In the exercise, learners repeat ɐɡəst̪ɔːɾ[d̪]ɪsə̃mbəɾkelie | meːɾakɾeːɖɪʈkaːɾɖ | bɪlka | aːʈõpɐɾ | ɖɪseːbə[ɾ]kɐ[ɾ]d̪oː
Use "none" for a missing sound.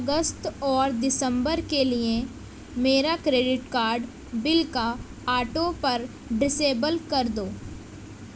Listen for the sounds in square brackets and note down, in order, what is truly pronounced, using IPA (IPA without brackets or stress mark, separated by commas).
d̪, l, ɾ